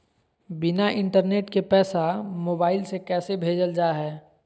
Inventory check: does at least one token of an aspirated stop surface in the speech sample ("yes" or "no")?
no